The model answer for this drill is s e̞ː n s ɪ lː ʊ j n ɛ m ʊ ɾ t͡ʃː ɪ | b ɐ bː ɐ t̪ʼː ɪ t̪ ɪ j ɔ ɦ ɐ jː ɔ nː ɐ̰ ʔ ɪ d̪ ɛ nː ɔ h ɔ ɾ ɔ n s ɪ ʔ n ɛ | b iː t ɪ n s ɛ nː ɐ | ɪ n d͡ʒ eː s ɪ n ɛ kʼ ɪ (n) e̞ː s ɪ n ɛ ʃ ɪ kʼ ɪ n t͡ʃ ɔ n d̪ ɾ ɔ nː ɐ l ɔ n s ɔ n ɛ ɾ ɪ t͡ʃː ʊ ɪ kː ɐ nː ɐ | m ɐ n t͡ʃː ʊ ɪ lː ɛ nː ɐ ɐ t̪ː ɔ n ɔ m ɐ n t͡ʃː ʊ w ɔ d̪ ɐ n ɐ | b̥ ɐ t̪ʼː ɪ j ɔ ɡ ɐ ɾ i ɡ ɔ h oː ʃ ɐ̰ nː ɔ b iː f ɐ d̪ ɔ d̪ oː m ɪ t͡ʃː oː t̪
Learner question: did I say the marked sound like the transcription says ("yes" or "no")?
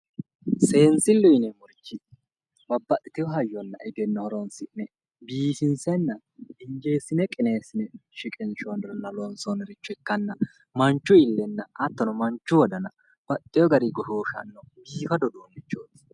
yes